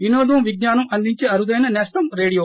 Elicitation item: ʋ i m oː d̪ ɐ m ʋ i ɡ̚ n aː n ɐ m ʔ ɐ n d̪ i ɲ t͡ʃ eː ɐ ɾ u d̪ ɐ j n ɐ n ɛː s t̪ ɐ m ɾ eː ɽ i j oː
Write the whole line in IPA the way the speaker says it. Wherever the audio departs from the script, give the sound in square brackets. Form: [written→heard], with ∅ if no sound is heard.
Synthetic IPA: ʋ i [m→n] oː d̪ ɐ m ʋ i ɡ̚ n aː n ɐ m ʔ ɐ n d̪ i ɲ t͡ʃ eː ɐ ɾ u d̪ ɐ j n ɐ n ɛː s t̪ ɐ m ɾ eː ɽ i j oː